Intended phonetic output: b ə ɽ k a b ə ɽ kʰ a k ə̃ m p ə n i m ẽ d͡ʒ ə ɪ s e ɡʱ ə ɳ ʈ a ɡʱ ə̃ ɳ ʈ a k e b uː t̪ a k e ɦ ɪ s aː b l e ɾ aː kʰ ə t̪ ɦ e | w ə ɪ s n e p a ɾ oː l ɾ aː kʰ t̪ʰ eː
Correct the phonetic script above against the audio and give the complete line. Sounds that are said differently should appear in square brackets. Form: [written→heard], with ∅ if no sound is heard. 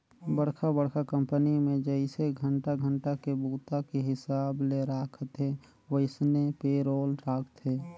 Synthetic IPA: b ə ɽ [k→kʰ] a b ə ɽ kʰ a k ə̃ m p ə n i m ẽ d͡ʒ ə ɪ s e ɡʱ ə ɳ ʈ a ɡʱ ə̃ ɳ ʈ a k e b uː t̪ a k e ɦ ɪ s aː b l e ɾ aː kʰ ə t̪ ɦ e | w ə ɪ s n e p [a→e] ɾ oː l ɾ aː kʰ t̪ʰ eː